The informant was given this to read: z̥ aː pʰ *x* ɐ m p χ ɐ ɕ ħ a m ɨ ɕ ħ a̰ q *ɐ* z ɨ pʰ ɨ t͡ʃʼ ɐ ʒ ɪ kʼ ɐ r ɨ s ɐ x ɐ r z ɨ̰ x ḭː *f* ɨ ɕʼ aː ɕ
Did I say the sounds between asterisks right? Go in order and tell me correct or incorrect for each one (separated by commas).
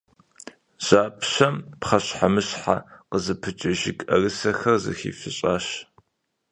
incorrect, incorrect, correct